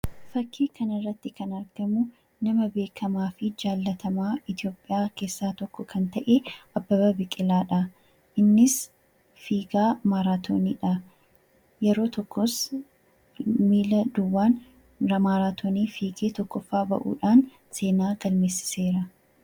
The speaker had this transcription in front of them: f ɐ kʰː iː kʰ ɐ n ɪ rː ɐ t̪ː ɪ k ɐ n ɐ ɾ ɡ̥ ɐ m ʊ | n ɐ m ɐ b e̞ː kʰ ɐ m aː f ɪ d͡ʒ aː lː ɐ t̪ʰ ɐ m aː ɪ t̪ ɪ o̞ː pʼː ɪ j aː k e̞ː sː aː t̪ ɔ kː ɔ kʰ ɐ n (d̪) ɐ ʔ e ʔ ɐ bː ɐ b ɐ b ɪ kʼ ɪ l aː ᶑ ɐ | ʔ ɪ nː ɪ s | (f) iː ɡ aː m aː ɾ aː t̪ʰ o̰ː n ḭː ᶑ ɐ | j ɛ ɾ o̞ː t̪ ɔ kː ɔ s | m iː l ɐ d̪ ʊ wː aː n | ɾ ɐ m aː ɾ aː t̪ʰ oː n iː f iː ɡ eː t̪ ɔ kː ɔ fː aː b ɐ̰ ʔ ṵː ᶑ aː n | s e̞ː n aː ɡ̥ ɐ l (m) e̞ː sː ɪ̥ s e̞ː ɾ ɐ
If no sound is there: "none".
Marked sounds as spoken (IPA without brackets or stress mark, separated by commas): t̪, f, m